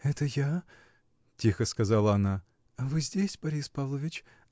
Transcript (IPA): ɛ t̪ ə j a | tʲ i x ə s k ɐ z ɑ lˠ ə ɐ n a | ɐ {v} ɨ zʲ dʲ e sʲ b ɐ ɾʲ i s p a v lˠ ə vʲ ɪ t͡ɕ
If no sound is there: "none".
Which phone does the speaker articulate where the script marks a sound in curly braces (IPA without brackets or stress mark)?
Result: v